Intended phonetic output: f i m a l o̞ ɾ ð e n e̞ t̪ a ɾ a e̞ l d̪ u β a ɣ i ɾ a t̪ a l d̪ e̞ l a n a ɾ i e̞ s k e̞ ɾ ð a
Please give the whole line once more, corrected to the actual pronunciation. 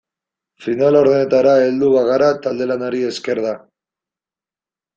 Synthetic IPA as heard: f i n a l o̞ ɾ ð e n e̞ t̪ a ɾ a e̞ l d̪ u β a ɣ a ɾ a t̪ a l d̪ e̞ l a n a ɾ i e̞ s k e̞ ɾ ð a